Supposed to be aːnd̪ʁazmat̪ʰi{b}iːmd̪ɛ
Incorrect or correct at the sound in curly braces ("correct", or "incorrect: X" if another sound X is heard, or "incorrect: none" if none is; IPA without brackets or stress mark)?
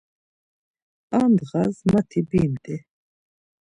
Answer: correct